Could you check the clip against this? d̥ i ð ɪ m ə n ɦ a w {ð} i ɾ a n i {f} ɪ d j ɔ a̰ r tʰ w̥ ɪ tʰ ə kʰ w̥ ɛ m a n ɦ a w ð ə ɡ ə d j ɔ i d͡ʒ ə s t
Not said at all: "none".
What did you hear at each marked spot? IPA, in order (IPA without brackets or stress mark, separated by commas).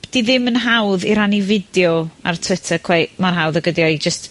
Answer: ð, v